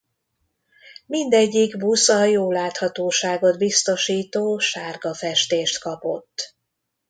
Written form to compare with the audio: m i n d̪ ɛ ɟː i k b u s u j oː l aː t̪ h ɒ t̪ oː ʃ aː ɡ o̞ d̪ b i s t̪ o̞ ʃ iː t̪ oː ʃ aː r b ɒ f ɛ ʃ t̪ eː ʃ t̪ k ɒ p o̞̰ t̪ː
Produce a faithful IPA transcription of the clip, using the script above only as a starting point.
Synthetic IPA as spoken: m i n d̪ ɛ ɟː i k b u s ɒ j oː l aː t̪ h ɒ t̪ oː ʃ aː ɡ o̞ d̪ b i s t̪ o̞ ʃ iː t̪ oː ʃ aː r ɡ ɒ f ɛ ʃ t̪ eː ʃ t̪ k ɒ p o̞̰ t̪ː

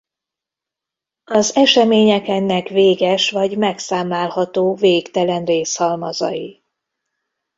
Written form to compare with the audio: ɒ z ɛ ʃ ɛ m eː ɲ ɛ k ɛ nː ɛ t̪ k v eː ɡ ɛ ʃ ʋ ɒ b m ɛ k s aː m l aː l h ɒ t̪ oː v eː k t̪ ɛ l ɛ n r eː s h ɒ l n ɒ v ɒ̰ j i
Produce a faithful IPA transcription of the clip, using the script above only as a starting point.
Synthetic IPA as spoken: ɒ z ɛ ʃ ɛ m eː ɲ ɛ k ɛ nː ɛ k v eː ɡ ɛ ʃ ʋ ɒ ɟ m ɛ k s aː m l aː l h ɒ t̪ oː v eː k t̪ ɛ l ɛ n r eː s h ɒ l m ɒ z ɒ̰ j i

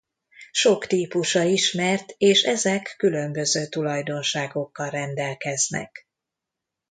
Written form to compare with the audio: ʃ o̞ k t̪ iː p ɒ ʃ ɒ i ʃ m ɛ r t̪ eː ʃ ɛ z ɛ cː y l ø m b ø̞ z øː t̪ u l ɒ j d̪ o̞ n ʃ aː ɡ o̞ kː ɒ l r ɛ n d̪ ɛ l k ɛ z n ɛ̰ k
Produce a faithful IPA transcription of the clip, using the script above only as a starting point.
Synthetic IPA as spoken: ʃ o̞ k t̪ iː p u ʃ ɒ i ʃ m ɛ r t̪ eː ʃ ɛ z ɛ kː y l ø m b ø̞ z øː t̪ u l ɒ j d̪ o̞ n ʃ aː ɡ o̞ kː ɒ l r ɛ n d̪ ɛ l k ɛ z n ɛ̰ k

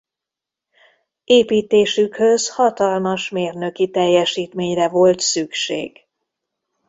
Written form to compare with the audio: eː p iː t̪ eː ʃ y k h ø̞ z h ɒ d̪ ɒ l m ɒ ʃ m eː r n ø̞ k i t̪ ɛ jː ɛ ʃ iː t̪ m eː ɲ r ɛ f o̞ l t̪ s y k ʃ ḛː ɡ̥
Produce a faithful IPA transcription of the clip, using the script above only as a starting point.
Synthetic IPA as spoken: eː p iː t̪ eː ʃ y k h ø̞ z h ɒ t̪ ɒ l m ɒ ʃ m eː r n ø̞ k i t̪ ɛ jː ɛ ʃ iː t̪ m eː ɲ r ɛ v o̞ l t̪ s y k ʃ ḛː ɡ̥

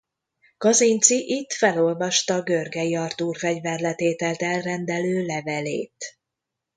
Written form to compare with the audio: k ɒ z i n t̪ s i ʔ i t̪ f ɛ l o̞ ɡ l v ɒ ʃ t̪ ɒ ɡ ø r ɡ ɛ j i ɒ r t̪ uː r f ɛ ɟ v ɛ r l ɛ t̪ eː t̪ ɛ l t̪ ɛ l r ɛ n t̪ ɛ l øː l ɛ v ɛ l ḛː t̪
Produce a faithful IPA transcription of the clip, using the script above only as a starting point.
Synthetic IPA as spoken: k ɒ z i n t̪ s i ʔ i t̪ f ɛ l o̞ l v ɒ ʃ t̪ ɒ ɡ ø r ɡ ɛ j i ɒ r t̪ uː r f ɛ ɟ v ɛ r l ɛ t̪ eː t̪ ɛ l t̪ ɛ l r ɛ n d̪ ɛ l øː l ɛ v ɛ l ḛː t̪

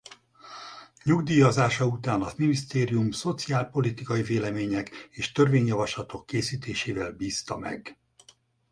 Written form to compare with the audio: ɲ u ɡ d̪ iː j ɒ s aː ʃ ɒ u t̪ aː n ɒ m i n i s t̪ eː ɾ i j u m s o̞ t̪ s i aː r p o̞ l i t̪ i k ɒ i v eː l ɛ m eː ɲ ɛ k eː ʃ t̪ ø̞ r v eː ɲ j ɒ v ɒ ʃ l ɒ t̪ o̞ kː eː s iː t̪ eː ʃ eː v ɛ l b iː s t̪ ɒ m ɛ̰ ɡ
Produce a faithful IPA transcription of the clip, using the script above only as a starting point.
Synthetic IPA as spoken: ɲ u ɡ d̪ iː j ɒ z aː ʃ ɒ u t̪ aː n ɒ m i n i s t̪ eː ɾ i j u m s o̞ t̪ s i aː l p o̞ l i t̪ i k ɒ i v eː l ɛ m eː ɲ ɛ k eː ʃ t̪ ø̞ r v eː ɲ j ɒ v ɒ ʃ l ɒ t̪ o̞ kː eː s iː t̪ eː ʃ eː v ɛ l b iː s t̪ ɒ m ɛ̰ ɡ

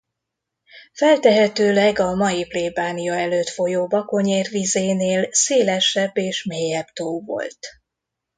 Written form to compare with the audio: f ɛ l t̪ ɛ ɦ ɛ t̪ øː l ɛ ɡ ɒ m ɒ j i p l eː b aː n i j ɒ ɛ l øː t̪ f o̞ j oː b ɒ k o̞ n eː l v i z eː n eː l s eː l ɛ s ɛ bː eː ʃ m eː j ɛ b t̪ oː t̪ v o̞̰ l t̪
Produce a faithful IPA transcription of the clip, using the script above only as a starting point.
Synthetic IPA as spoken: f ɛ l t̪ ɛ ɦ ɛ t̪ øː l ɛ ɡ ɒ m ɒ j i p l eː b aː n i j ɒ ɛ l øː t̪ f o̞ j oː b ɒ k o̞ ɲ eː r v i z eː n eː l s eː l ɛ ʃ ɛ bː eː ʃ m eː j ɛ b t̪ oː v o̞̰ l t̪

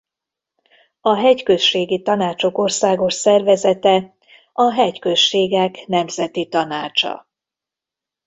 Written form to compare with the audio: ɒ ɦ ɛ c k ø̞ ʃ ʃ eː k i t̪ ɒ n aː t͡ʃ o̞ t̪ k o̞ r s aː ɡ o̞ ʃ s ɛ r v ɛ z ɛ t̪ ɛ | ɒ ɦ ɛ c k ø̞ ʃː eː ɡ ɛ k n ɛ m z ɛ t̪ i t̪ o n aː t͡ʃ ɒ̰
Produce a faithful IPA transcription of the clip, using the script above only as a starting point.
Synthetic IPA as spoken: ɒ ɦ ɛ c k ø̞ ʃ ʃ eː ɡ i t̪ ɒ n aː t͡ʃ o̞ k o̞ r s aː ɡ o̞ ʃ s ɛ r v ɛ z ɛ t̪ ɛ | ɒ ɦ ɛ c k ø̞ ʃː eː ɡ ɛ k n ɛ m z ɛ t̪ i t̪ ɒ n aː t͡ʃ ɒ̰

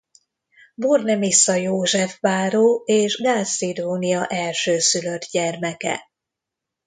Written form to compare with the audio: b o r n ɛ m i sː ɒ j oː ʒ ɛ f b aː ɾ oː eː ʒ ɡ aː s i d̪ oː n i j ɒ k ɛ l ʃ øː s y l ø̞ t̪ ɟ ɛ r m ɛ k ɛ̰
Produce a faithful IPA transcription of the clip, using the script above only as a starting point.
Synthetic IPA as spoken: b o r n ɛ m i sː ɒ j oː ʒ ɛ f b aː ɾ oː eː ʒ ɡ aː s i d̪ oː n i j ɒ ʔ ɛ l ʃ øː s y l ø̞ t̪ ɟ ɛ r m ɛ k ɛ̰

